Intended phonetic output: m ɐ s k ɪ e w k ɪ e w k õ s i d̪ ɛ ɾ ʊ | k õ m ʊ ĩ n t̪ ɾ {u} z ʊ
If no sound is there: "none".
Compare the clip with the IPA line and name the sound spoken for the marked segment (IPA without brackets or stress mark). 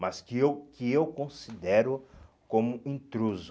u